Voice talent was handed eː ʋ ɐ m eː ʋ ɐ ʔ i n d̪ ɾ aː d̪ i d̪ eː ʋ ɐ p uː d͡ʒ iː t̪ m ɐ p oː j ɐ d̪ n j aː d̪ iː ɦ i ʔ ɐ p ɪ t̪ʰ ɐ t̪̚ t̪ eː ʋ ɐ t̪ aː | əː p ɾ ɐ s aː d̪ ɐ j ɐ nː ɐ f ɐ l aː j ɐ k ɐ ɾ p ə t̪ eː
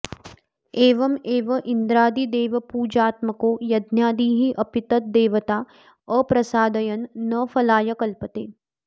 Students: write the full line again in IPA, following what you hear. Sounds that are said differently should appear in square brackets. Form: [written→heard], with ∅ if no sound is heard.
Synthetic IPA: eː ʋ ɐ m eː ʋ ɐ ʔ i n d̪ ɾ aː d̪ i d̪ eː ʋ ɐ p uː d͡ʒ [iː→aː] t̪ m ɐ [p→k] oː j ɐ d̪ n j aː d̪ iː ɦ i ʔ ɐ p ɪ [t̪ʰ→t̪] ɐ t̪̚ [t̪→d̪] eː ʋ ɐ t̪ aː | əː p ɾ ɐ s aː d̪ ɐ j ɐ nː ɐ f ɐ l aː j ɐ k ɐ [ɾ→l] p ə t̪ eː